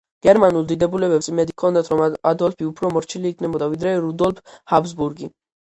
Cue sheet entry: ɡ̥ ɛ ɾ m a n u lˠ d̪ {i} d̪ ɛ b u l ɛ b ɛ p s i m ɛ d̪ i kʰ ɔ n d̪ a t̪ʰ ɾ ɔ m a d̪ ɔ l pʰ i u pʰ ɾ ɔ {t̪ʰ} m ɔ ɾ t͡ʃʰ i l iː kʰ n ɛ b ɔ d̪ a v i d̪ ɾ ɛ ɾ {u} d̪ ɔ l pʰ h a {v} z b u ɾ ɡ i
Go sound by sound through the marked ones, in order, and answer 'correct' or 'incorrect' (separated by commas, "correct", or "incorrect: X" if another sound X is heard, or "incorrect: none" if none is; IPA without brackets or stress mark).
correct, incorrect: none, correct, incorrect: b